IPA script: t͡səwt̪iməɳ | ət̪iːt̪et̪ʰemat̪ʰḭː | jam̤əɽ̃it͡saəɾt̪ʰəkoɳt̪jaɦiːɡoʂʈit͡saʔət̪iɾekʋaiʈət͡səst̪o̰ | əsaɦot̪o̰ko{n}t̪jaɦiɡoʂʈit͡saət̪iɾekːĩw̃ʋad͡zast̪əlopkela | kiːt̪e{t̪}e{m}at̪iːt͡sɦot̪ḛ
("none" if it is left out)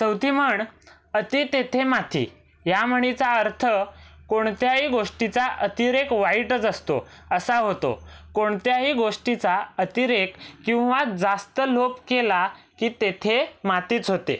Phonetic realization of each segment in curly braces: ɳ, t̪ʰ, m

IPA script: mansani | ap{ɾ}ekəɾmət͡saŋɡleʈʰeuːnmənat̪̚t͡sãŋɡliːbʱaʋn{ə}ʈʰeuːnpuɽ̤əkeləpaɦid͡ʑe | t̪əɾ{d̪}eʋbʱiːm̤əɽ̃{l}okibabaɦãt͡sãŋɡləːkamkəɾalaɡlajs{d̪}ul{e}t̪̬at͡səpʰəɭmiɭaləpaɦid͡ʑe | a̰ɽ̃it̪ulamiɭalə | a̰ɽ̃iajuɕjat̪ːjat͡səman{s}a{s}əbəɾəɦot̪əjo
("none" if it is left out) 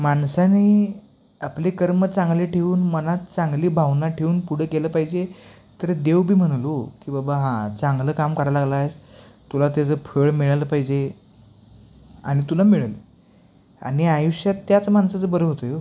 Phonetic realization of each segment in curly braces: l, a, d̪, l, t̪, a, s, t͡s

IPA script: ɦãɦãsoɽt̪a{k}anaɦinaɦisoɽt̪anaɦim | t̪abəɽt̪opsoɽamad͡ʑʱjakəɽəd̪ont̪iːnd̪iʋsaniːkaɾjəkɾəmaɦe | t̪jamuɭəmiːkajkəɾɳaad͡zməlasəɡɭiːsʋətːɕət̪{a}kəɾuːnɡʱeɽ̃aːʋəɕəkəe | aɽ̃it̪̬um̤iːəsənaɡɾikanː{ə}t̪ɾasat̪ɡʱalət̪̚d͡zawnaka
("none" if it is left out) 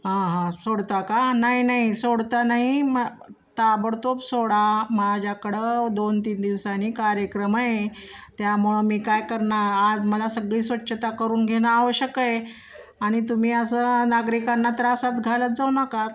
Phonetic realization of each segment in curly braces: k, a, a

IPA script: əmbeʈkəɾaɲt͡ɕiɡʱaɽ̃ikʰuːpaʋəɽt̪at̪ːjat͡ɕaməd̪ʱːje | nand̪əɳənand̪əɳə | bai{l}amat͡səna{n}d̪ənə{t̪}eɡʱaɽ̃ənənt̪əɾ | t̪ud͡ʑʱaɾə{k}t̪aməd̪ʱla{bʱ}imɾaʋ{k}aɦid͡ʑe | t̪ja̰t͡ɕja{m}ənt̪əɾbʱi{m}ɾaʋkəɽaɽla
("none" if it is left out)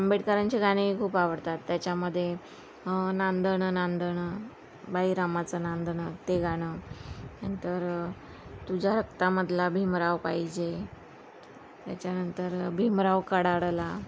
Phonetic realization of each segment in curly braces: ɾ, n, t̪, k, bʱ, p, n, m

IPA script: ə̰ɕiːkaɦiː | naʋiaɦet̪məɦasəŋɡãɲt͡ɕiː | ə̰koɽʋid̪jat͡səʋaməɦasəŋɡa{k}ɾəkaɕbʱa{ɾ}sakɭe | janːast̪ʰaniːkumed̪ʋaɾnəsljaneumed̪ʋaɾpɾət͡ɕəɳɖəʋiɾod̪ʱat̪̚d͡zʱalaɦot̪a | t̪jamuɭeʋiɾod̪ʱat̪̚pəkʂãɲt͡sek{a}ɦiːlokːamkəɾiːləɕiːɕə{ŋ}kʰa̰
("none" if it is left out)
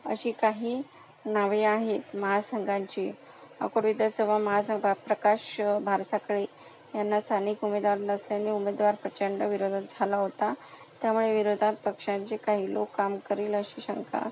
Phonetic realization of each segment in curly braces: p, ɾ, a, ŋ

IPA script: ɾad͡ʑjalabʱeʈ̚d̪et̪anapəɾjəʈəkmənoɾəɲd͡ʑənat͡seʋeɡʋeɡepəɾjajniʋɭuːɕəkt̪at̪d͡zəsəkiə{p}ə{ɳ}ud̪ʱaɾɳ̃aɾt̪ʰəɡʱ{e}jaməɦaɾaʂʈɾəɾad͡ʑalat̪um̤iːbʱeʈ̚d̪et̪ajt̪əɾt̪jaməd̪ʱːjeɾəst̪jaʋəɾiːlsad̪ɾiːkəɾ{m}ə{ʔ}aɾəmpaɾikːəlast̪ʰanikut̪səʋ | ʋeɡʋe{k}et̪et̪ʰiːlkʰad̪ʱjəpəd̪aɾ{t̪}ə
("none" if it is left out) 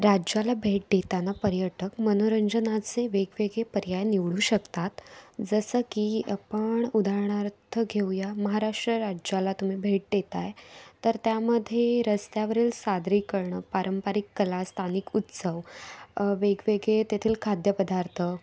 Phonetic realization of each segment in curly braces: p, ɳ, e, ɳ, p, ɡ, t̪ʰ

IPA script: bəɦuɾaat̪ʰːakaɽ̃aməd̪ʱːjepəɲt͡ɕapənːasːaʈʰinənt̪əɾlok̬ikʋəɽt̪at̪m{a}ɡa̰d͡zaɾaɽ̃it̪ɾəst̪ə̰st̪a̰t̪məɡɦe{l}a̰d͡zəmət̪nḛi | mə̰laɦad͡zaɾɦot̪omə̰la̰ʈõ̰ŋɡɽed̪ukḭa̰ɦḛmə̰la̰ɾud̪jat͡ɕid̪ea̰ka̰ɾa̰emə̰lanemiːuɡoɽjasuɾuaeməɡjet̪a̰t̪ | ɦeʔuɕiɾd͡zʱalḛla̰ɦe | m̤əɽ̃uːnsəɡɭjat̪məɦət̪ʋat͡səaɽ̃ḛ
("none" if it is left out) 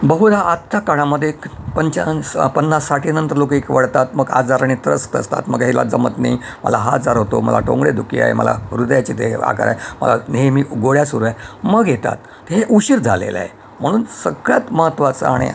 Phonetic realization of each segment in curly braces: ə, l

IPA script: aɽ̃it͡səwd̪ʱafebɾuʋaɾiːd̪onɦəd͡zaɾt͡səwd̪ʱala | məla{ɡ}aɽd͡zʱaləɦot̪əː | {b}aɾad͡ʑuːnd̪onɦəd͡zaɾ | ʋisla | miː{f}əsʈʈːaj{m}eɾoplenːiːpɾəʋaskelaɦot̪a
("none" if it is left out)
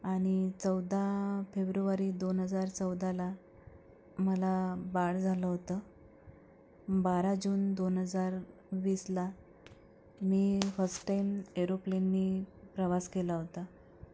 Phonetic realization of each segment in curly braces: b, b, f, m

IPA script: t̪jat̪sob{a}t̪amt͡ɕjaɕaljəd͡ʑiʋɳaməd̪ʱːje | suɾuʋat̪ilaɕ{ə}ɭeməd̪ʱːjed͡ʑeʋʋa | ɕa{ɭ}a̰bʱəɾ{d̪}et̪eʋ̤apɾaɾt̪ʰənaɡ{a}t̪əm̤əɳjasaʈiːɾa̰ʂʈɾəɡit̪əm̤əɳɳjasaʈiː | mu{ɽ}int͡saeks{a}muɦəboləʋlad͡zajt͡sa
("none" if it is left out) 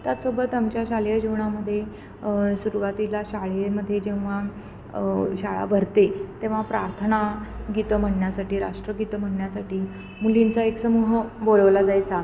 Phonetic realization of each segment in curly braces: ə, a, ɭ, t̪, i, l, ə

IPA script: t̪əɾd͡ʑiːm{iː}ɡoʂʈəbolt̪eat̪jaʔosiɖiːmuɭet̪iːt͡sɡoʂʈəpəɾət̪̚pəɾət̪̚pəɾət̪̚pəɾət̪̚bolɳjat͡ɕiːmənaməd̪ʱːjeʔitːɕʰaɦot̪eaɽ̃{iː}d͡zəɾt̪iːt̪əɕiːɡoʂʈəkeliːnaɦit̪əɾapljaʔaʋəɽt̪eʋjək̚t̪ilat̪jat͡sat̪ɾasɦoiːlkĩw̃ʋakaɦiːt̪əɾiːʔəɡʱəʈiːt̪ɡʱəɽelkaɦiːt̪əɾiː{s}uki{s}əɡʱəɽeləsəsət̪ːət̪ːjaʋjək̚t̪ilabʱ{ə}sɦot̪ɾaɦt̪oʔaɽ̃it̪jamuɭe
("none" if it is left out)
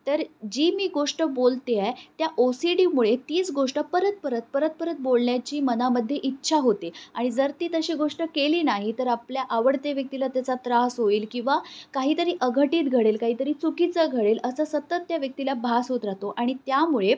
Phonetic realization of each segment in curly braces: iː, i, t͡s, t͡s, a

